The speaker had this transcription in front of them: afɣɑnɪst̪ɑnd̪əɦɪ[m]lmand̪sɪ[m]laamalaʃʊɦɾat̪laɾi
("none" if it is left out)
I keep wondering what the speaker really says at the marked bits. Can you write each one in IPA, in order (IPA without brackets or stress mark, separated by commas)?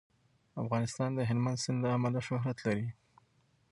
none, n